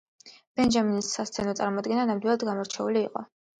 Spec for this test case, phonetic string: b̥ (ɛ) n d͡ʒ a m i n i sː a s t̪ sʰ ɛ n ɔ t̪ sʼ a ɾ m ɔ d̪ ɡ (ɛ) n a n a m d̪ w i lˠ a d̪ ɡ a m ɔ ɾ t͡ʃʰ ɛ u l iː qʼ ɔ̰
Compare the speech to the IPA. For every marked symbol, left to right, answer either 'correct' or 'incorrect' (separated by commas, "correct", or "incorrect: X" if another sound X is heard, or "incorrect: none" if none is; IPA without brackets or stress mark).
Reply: correct, correct